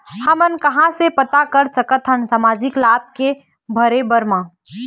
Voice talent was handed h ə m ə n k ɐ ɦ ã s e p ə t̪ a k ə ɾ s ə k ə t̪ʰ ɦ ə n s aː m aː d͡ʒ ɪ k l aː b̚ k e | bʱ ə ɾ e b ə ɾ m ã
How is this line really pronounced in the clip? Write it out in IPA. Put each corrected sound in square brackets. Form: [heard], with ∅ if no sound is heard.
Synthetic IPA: h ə m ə n k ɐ ɦ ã s e p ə t̪ a k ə ɾ s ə k ə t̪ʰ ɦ ə n s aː m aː d͡ʒ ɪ k l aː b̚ k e | bʱ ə ɾ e b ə ɾ m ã